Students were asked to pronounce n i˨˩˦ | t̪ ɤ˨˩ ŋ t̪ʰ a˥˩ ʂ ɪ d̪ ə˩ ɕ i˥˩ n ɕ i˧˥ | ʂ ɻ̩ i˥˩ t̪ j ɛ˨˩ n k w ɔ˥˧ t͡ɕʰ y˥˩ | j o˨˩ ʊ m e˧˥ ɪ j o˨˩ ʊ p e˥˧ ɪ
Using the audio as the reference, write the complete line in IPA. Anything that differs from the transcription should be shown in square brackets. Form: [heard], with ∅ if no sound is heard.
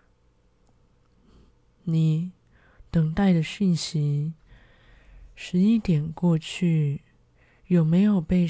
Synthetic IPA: n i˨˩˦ | t̪ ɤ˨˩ ŋ [t̪] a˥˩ [∅] ɪ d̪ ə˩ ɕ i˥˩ n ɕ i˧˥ | ʂ ɻ̩ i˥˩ t̪ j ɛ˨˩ n k w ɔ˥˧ t͡ɕʰ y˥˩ | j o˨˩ ʊ m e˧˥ ɪ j o˨˩ ʊ p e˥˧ ɪ